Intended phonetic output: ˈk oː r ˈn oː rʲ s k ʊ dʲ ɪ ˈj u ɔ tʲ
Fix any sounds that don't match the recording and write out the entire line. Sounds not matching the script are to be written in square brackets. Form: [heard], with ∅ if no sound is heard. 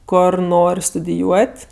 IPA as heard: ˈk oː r ˈn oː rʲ s [t] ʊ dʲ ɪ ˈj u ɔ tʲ